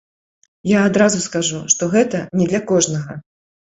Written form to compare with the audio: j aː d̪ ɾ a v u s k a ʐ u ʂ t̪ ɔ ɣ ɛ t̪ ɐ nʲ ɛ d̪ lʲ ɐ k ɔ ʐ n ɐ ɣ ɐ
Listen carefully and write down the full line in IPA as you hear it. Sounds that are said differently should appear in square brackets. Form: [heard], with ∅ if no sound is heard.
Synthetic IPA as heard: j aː d̪ ɾ a [z] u s k a ʐ u ʂ t̪ ɔ ɣ ɛ t̪ ɐ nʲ ɛ d̪ lʲ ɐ k ɔ ʐ n ɐ ɣ ɐ